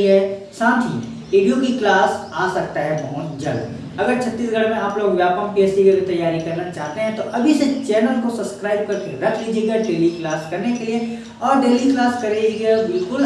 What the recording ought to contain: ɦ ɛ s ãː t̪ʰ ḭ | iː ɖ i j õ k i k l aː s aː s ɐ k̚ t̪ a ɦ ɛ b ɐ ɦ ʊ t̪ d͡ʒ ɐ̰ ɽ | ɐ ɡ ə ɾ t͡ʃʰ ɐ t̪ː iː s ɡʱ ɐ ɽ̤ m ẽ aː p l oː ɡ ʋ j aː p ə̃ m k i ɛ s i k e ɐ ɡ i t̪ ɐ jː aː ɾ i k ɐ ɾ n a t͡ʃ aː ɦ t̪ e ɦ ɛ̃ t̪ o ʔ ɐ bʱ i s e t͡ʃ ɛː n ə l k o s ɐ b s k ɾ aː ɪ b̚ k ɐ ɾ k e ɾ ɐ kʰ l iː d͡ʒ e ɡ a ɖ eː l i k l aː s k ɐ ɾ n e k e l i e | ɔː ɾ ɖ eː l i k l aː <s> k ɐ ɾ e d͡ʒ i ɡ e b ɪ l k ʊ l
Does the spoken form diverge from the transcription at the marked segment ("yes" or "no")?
no